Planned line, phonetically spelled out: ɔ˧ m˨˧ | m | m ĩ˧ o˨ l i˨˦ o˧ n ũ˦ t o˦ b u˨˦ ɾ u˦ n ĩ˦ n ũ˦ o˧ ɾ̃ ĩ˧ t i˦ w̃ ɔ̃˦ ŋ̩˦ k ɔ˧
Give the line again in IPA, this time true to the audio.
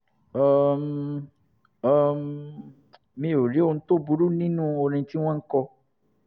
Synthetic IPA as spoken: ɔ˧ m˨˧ | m | m ĩ˧ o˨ ɾ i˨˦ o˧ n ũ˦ t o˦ b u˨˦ ɾ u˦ n ĩ˦ n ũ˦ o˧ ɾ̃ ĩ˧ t i˦ w̃ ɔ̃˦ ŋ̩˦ k ɔ˧

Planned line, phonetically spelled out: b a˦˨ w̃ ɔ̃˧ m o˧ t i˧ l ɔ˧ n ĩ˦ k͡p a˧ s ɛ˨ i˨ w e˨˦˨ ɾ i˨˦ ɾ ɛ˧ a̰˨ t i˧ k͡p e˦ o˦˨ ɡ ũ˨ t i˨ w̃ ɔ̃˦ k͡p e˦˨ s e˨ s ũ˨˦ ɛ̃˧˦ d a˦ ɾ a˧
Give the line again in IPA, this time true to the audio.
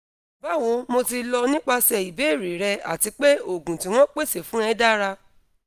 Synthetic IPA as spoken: b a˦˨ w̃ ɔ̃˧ m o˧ t i˧ l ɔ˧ n ĩ˦ k͡p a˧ s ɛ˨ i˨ b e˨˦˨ ɾ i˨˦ ɾ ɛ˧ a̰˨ t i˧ k͡p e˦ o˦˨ ɡ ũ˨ t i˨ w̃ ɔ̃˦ k͡p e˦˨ s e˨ f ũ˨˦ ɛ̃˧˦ d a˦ ɾ a˧

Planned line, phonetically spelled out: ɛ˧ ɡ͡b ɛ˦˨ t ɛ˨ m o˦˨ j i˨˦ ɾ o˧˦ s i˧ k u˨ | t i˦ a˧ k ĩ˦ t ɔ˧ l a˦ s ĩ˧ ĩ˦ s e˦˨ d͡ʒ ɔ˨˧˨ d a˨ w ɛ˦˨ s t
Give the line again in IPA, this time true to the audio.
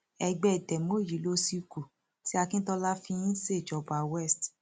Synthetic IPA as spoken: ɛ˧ ɡ͡b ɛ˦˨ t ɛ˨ m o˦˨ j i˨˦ l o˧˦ s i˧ k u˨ | t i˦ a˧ k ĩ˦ t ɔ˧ l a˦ f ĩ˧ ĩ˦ s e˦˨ d͡ʒ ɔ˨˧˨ b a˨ w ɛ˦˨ s t

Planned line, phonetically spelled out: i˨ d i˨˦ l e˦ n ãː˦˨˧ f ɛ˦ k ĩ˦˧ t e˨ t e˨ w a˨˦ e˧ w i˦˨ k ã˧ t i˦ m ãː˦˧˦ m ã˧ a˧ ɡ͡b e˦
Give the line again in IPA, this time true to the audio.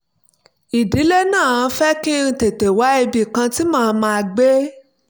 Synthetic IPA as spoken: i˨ d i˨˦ l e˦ n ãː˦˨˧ f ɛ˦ k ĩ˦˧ t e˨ t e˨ w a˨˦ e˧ b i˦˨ k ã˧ t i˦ m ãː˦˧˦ m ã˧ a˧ ɡ͡b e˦

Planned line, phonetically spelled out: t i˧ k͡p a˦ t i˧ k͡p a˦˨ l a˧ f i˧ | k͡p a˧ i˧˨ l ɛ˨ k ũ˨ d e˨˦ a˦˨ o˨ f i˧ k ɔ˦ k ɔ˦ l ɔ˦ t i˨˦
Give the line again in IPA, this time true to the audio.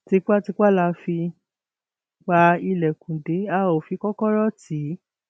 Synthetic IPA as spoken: t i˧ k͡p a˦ t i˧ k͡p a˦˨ l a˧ f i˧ | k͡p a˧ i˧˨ l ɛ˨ k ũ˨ d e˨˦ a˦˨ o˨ f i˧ k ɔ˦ k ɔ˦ ɾ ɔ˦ t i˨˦

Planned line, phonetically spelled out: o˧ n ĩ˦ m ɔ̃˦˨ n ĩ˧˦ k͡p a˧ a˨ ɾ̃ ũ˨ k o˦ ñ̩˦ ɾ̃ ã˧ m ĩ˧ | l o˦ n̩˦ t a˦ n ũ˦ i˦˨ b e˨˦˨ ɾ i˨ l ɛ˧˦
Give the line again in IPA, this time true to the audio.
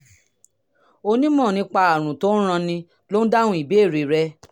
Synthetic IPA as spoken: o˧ n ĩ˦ m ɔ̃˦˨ n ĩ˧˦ k͡p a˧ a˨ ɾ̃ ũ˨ t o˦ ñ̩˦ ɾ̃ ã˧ n ĩ˧ | l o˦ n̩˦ d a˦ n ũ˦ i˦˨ b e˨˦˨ ɾ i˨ ɾ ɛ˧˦

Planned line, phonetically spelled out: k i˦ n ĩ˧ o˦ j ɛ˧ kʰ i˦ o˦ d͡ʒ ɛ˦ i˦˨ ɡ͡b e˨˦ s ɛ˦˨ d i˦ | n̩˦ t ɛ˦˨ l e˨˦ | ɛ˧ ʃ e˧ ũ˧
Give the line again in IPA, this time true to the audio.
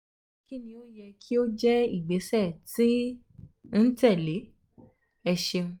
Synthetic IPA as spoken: k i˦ n ĩ˧ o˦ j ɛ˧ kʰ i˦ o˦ d͡ʒ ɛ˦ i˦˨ ɡ͡b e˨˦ s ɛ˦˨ t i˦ | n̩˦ t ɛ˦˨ l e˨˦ | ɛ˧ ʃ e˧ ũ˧

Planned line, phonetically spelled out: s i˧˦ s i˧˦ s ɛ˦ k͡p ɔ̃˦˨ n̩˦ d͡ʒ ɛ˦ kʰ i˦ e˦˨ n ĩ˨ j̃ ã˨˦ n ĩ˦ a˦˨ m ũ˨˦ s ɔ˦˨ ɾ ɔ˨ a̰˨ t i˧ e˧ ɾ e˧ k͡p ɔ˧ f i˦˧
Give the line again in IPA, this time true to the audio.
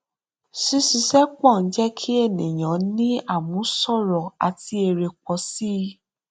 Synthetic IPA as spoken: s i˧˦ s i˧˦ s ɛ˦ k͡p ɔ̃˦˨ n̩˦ d͡ʒ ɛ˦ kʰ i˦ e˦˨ n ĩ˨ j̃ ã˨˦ n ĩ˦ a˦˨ m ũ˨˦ s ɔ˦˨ ɾ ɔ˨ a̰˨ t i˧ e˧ ɾ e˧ k͡p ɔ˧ s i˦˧

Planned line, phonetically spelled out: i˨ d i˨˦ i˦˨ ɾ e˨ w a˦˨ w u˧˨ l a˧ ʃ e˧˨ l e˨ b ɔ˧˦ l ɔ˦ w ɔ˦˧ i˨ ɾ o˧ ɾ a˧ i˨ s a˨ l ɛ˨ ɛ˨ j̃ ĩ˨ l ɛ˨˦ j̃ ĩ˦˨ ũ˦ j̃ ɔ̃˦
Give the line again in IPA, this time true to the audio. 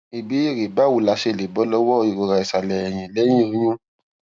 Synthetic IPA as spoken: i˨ b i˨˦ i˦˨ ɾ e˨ b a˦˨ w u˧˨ l a˧ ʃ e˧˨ l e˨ b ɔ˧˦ l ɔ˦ w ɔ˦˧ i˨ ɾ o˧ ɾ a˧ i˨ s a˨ l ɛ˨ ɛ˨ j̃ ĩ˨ l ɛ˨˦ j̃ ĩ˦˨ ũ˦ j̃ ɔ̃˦

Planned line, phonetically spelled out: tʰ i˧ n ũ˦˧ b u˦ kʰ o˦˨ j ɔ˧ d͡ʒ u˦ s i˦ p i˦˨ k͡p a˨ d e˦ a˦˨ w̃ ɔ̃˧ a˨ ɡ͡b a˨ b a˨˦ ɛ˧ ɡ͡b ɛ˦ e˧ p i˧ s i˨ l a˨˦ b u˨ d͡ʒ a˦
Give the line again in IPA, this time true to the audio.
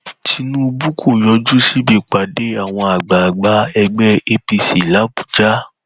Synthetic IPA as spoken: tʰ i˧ n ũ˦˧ b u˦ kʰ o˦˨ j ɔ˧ d͡ʒ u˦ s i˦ b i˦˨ k͡p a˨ d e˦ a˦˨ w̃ ɔ̃˧ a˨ ɡ͡b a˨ ɡ͡b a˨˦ ɛ˧ ɡ͡b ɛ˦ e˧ p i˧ s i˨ l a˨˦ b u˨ d͡ʒ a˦

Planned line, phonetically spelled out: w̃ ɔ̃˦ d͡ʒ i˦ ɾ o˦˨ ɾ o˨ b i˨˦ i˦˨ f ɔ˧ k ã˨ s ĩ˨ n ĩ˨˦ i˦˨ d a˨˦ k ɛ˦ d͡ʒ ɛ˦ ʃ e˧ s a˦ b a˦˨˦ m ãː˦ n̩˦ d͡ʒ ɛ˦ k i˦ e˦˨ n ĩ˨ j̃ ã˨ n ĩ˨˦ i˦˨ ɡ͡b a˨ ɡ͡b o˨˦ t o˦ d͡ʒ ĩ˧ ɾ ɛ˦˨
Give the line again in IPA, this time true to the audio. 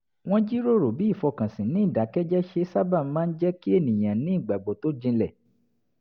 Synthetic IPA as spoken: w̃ ɔ̃˦ d͡ʒ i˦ ɾ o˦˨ ɾ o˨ b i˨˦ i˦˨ f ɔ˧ k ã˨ s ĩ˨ n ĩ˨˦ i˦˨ d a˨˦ k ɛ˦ d͡ʒ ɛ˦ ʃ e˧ s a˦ b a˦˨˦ m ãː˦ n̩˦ d͡ʒ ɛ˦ k i˦ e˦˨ n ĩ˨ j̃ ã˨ n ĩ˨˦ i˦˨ ɡ͡b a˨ ɡ͡b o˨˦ t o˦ d͡ʒ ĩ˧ l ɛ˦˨

